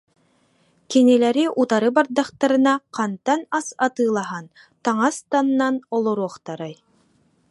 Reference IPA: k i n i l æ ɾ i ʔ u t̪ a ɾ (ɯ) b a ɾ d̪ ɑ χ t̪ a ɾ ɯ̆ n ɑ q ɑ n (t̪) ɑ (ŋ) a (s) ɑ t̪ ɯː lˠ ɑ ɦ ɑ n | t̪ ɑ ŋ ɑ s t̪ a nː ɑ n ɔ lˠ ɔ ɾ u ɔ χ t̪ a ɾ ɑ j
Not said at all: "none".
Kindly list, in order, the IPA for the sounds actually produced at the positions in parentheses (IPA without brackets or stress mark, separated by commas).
ɯ, t̪, n, s